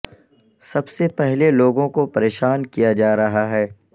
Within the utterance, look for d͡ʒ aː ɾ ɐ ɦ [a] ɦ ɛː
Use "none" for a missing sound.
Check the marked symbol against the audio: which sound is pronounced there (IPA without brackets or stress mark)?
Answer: a